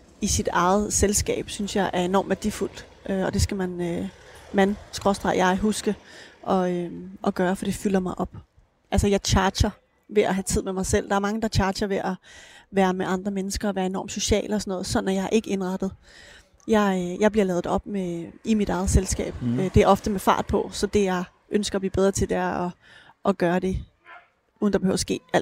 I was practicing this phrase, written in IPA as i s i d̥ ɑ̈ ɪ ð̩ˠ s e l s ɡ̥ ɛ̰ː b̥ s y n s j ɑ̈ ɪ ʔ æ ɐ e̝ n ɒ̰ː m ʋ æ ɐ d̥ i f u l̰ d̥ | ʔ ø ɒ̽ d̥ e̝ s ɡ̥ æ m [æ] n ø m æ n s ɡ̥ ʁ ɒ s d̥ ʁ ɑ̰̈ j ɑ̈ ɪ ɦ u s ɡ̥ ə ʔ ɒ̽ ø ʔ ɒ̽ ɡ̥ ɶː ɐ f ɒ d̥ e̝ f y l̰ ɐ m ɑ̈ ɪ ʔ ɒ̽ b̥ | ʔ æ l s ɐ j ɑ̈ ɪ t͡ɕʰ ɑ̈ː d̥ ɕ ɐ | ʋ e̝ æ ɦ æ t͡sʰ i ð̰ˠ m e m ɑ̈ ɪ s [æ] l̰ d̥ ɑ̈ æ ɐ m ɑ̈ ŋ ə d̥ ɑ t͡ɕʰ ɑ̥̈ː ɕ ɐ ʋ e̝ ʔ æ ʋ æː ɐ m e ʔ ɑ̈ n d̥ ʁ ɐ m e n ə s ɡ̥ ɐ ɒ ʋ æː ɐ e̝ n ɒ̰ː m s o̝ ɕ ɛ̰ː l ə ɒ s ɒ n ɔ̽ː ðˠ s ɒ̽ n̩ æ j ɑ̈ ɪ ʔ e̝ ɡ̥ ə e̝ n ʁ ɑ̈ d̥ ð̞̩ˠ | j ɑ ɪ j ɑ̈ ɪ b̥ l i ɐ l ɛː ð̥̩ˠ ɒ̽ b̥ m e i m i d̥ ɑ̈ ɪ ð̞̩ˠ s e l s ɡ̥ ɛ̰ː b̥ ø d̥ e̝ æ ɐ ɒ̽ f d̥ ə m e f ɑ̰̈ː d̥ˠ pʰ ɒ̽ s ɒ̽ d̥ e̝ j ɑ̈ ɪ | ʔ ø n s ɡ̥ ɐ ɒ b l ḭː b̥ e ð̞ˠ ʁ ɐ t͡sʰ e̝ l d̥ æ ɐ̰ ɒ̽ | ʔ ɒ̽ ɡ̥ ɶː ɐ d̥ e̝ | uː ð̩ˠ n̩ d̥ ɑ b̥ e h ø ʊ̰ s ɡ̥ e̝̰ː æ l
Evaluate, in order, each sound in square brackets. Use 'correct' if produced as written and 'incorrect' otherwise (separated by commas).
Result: correct, incorrect